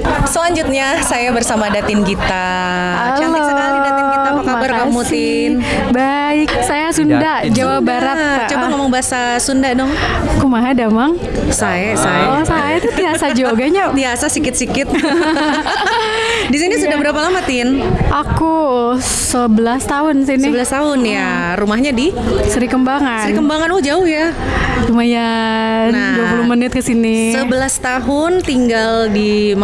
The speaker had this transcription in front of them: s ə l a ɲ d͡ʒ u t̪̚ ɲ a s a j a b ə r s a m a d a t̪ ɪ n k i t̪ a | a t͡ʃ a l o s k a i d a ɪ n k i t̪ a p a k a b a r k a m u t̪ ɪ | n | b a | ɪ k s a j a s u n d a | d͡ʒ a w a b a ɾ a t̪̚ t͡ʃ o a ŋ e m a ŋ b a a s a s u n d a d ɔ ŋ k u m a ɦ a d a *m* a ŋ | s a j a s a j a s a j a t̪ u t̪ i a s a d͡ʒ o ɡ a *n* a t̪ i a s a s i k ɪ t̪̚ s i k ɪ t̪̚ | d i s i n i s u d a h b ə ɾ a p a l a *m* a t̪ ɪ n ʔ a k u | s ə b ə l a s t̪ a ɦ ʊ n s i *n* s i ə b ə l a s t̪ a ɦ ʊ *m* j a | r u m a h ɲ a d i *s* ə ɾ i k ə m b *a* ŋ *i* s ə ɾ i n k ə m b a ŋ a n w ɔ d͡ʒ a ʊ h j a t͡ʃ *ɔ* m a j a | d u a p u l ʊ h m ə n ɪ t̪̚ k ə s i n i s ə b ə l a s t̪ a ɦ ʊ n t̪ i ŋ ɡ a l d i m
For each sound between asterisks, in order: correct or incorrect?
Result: correct, incorrect, correct, correct, incorrect, correct, correct, incorrect, incorrect

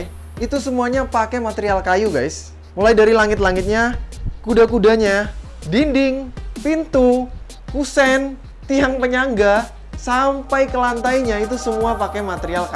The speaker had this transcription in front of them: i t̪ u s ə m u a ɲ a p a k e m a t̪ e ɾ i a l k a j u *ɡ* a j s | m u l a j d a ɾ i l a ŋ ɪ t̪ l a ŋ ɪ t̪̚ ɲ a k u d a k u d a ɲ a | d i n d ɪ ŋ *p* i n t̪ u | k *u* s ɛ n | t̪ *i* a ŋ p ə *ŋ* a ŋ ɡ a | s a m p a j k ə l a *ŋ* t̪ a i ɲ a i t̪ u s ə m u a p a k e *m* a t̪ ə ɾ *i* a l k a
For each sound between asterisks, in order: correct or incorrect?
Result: correct, correct, correct, correct, incorrect, incorrect, correct, correct

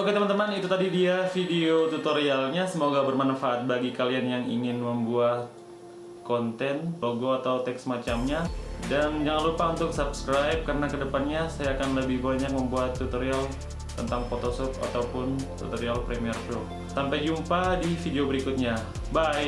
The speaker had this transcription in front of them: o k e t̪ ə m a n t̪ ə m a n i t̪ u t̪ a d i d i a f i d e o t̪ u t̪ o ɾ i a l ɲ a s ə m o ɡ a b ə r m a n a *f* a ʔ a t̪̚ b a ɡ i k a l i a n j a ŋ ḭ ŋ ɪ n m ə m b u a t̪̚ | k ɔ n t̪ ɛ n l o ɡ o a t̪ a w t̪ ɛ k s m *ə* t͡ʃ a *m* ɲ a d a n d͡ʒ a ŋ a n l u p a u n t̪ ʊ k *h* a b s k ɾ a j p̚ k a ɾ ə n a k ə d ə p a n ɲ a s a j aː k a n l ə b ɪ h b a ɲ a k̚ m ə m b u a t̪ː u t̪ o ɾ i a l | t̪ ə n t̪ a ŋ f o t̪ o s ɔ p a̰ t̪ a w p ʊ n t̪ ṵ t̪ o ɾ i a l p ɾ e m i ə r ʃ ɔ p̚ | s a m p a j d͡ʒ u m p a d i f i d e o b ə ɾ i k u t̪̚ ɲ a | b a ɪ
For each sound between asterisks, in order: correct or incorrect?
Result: correct, incorrect, correct, incorrect

